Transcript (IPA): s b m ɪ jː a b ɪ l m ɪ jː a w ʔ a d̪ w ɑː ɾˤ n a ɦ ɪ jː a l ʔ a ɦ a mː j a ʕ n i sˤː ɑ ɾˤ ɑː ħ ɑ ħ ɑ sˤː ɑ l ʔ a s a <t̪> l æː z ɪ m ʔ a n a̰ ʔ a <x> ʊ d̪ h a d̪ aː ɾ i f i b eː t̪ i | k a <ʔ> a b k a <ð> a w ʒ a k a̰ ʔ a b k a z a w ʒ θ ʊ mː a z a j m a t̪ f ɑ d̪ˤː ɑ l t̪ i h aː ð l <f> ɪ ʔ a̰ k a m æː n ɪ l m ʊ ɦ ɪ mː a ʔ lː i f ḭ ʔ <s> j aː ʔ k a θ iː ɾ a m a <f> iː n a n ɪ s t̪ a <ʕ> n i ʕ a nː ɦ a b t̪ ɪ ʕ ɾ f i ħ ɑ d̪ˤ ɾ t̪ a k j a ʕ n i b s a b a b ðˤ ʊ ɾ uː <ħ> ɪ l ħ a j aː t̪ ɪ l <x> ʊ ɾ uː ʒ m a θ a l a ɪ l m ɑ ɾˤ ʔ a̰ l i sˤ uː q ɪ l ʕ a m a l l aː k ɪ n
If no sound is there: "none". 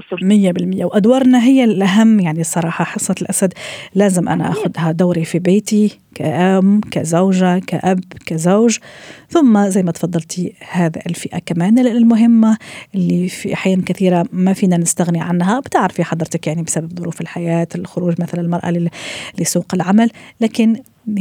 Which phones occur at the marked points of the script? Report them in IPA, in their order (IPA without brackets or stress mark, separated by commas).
d̪, x, ʔ, z, f, ħ, f, ɣ, f, x